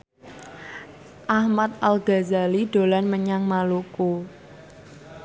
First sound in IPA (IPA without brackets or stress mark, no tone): ʔ